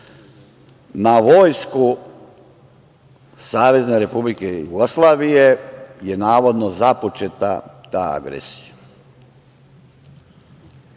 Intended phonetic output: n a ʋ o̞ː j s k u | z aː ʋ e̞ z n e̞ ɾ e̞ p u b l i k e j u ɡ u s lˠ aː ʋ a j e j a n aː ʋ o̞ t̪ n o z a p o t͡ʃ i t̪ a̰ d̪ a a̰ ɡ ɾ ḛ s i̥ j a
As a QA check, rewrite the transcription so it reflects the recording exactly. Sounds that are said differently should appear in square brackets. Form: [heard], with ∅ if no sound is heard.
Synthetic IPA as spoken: n a ʋ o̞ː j s k u | [s] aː ʋ e̞ z n e̞ ɾ e̞ p u b l i k e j u ɡ [o] s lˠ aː ʋ [i] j e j [e] n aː ʋ o̞ [d̪] n o z a p o t͡ʃ [e] t̪ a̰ [t̪] a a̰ ɡ ɾ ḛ s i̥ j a